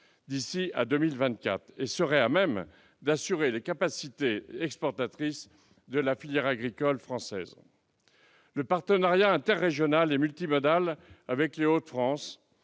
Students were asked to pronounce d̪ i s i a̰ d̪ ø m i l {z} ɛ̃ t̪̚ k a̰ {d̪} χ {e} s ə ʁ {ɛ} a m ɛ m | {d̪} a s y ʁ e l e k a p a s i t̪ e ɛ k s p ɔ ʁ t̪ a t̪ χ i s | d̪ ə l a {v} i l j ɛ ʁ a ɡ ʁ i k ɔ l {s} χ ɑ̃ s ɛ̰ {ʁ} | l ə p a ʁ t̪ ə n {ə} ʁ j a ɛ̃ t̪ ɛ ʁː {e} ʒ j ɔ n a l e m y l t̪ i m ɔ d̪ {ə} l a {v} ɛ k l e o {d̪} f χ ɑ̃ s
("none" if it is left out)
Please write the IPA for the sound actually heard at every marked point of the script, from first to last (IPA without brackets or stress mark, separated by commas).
v, t̪, e, ɛ, d̪, f, f, z, a, e, a, v, t̪